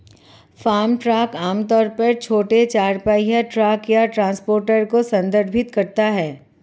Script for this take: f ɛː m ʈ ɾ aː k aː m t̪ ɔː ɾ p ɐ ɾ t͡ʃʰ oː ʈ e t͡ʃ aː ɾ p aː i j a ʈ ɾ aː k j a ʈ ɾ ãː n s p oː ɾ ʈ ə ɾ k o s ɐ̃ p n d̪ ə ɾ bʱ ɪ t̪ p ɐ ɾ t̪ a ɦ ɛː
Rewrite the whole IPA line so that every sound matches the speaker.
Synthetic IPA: f aː m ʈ ɾ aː k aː m t̪ ɔː ɾ p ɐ ɾ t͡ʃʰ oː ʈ e t͡ʃ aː ɾ p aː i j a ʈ ɾ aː k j a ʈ ɾ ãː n s p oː ɾ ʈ ə ɾ k o s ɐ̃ n d̪ ə ɾ bʱ ɪ t̪ k ɐ ɾ t̪ a ɦ ɛː